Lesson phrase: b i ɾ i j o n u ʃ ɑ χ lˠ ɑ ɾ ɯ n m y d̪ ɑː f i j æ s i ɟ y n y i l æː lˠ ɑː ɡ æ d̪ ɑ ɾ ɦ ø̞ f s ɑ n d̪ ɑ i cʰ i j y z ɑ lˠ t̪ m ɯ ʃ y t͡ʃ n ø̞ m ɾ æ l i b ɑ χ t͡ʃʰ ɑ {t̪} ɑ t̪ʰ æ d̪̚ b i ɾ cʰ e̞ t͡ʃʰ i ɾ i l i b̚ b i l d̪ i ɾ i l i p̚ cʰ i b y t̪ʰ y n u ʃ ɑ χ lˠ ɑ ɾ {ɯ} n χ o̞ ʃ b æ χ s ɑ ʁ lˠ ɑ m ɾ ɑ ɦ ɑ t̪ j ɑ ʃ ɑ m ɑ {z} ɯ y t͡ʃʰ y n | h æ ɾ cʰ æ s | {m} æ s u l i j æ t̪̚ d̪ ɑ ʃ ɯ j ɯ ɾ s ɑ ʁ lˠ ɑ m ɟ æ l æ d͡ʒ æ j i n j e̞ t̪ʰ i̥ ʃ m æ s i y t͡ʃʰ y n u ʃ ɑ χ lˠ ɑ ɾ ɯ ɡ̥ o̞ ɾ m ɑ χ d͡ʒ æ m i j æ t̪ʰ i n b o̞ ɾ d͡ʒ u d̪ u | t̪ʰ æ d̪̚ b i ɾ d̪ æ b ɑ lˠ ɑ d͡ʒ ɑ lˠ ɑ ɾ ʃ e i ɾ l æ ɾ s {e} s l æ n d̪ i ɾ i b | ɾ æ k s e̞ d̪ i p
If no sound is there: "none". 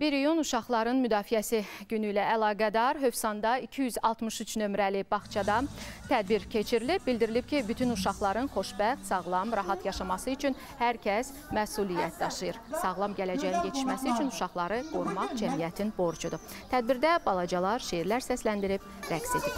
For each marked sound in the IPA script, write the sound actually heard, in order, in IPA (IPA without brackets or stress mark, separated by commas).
d̪, ɯ, s, m, æ